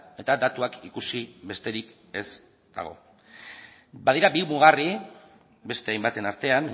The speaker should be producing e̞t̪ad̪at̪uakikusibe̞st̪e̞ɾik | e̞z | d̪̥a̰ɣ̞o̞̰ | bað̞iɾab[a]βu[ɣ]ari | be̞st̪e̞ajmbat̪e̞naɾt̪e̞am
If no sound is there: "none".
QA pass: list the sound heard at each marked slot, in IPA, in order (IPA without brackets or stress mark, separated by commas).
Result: i, ɣ